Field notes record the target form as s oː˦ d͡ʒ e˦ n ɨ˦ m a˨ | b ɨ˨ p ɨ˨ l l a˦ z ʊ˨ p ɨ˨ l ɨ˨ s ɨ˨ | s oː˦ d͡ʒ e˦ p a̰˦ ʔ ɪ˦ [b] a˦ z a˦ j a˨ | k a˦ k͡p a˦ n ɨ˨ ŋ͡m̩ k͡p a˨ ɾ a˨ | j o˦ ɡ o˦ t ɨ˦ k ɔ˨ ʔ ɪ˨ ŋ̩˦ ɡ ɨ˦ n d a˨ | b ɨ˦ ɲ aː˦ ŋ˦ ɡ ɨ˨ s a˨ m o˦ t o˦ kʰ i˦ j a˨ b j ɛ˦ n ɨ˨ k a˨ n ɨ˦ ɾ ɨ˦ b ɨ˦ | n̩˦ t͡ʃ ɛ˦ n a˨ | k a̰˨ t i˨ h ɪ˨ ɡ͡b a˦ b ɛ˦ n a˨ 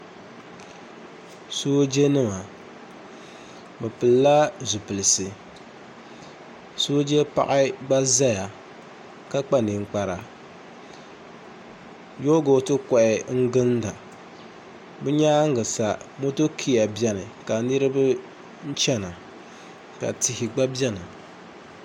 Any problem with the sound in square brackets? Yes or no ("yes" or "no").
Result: yes